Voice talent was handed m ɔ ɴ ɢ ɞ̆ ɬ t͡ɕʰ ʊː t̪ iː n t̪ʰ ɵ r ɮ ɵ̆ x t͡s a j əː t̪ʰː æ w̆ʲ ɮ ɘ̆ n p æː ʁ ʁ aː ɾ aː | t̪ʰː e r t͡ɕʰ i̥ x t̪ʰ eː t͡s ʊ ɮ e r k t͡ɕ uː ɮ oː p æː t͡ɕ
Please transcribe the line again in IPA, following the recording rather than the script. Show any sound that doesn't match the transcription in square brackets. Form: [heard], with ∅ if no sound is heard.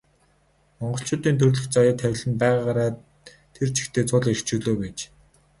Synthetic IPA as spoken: m ɔ ɴ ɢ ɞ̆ ɬ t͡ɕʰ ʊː t̪ iː n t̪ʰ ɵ r ɮ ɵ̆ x t͡s a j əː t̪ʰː æ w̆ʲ ɮ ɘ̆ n p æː ʁ ʁ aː ɾ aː | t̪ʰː e r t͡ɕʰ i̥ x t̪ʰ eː t͡s ʊ ɮ e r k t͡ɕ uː ɮ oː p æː t͡ɕ

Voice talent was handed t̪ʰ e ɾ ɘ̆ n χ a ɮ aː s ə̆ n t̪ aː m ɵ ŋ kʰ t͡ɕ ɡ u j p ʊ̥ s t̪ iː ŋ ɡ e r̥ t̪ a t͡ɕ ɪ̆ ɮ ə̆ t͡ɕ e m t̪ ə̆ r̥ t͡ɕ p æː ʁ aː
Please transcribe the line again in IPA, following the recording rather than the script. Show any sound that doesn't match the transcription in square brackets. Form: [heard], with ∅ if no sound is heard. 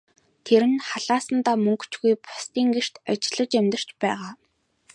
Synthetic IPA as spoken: t̪ʰ e ɾ ɘ̆ n χ a ɮ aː s ə̆ n t̪ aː m ɵ ŋ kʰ t͡ɕ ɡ u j p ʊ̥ s t̪ iː ŋ ɡ e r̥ t̪ a t͡ɕ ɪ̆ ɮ ə̆ t͡ɕ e m t̪ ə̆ r̥ t͡ɕ p æː ʁ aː

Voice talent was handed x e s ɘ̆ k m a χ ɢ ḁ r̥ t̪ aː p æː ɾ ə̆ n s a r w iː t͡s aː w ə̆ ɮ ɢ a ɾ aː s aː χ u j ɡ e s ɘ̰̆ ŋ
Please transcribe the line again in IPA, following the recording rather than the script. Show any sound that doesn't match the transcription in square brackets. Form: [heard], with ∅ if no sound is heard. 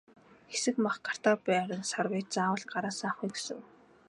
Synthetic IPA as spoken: x e s ɘ̆ k m a χ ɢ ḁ r̥ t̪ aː p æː ɾ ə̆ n s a r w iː t͡s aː w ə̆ ɮ ɢ a ɾ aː s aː χ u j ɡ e s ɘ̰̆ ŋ

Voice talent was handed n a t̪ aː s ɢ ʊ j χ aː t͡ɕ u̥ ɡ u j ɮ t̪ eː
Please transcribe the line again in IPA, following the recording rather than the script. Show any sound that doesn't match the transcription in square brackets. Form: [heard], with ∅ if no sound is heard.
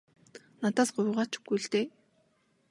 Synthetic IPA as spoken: n a t̪ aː s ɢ ʊ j [ʁ] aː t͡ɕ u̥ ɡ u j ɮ t̪ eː

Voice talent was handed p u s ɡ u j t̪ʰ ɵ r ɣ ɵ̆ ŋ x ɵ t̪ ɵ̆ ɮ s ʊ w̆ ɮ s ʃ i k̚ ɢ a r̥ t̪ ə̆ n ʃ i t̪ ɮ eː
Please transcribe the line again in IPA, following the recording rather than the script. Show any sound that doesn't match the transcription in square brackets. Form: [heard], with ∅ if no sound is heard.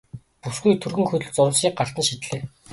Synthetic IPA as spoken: p u s ɡ u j t̪ʰ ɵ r ɣ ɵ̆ ŋ x ɵ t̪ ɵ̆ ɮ [t͡s] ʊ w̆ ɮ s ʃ [iː] k̚ ɢ a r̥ t̪ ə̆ n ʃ i t̪ ɮ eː

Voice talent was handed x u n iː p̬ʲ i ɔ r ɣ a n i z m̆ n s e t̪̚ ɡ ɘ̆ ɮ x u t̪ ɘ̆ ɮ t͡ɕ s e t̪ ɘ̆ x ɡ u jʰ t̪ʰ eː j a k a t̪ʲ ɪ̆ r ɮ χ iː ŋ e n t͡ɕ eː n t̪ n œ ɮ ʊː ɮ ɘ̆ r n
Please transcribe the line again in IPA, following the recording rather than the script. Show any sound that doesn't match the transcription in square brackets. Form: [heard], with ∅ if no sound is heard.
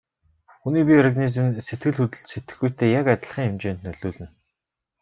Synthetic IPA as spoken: x u n iː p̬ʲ i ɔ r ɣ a n i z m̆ n s e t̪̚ ɡ ɘ̆ ɮ x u t̪ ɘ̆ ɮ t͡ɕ s e t̪ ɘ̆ x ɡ u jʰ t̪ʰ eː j a k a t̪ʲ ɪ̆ [∅] ɮ χ iː ŋ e [m] t͡ɕ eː n t̪ n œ ɮ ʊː ɮ ɘ̆ [∅] n

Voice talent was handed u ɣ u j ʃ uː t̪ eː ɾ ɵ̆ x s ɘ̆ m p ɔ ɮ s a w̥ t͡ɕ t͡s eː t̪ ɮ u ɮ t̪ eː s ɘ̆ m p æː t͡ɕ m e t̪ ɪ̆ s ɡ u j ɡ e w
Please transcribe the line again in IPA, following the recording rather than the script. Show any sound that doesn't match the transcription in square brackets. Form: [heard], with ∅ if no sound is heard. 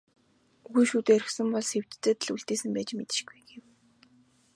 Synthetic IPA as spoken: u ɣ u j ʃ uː t̪ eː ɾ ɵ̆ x s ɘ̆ m p ɔ ɮ s [e] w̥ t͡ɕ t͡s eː t̪ ɮ u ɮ t̪ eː s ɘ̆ m p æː t͡ɕ m e t̪ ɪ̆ [ʃ] ɡ u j ɡ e w

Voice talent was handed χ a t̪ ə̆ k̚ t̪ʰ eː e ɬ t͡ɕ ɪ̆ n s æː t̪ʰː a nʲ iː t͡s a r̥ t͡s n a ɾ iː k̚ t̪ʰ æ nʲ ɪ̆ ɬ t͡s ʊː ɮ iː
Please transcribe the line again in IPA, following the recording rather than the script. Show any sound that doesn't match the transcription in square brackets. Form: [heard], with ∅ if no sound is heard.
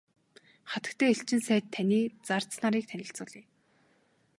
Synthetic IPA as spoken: χ a t̪ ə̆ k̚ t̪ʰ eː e ɬ t͡ɕ ɪ̆ n s æː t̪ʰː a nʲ iː t͡s a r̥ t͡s n a ɾ iː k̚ t̪ʰ æ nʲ ɪ̆ ɬ t͡s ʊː ɮ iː

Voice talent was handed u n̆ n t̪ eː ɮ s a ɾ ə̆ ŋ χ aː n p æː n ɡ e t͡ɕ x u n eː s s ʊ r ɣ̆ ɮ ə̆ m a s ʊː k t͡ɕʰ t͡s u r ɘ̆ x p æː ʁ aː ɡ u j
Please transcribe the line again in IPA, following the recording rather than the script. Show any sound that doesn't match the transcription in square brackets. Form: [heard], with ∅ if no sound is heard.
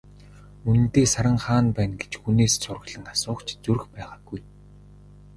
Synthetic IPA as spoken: u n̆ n t̪ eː [∅] s a ɾ ə̆ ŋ χ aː n p æː n ɡ e t͡ɕ x u n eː s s ʊ r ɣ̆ ɮ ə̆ [n] a s ʊː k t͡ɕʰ t͡s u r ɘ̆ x p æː ʁ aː ɡ u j

